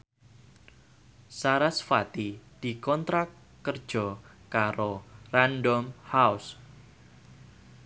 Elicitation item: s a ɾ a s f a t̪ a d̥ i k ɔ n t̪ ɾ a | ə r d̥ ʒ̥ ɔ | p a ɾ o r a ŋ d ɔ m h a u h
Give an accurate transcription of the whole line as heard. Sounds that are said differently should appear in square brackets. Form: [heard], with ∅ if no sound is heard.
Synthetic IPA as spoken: s a ɾ a s f a t̪ [i] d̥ i k ɔ n t̪ ɾ a | ə r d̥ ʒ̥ ɔ | [k] a ɾ o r a [n] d ɔ m h a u [s]